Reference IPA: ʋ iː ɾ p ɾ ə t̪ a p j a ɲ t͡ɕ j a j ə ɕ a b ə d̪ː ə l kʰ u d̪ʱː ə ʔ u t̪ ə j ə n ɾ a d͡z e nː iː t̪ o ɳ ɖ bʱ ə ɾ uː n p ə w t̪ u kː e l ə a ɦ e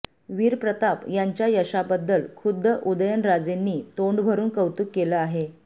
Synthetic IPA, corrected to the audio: ʋ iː ɾ p ɾ ə t̪ a p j a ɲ t͡ɕ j a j ə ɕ a b ə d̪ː ə l kʰ u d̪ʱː ə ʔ u d̪ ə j ə n ɾ a d͡z e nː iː t̪ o ɳ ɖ bʱ ə ɾ uː n k ə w t̪ u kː e l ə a ɦ e